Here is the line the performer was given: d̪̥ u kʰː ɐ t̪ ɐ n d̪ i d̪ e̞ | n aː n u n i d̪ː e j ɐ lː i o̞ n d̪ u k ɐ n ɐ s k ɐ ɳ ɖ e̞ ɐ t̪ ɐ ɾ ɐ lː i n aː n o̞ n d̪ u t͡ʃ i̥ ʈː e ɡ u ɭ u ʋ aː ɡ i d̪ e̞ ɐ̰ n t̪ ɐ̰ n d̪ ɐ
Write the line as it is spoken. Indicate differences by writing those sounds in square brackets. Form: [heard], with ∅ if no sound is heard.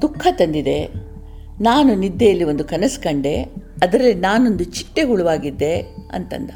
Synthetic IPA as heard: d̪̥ u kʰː ɐ t̪ ɐ n d̪ i d̪ e̞ | n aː n u n i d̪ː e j ɐ lː i o̞ n d̪ u k ɐ n ɐ s k ɐ ɳ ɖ e̞ ɐ [d̪] ɐ ɾ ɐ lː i n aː n o̞ n d̪ u t͡ʃ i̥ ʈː e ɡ u ɭ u ʋ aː ɡ i [d̪ː] e̞ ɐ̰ n t̪ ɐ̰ n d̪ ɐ